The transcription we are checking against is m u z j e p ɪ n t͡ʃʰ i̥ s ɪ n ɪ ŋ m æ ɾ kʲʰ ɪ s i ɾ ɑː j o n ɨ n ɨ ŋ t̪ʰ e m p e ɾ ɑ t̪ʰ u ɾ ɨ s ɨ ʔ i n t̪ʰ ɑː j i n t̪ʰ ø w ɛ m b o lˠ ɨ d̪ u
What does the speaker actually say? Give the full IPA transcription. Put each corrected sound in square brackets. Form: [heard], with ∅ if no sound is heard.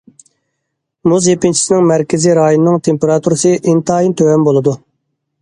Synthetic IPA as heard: m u z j e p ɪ n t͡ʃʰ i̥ s ɪ n ɪ ŋ m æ ɾ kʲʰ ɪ [z] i ɾ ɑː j o n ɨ n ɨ ŋ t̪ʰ e m p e ɾ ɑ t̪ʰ u ɾ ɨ s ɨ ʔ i n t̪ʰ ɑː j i n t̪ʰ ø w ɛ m b o lˠ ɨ d̪ u